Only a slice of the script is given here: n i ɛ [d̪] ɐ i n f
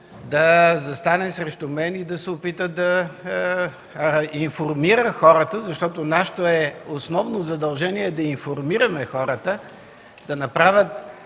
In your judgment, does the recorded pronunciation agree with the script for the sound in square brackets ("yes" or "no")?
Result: yes